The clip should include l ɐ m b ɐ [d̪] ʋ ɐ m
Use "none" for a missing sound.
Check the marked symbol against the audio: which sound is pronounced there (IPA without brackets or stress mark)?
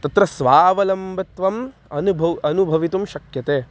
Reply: t̪